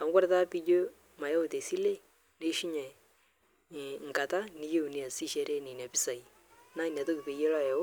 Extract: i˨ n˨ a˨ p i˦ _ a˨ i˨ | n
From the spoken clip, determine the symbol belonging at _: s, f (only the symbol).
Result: s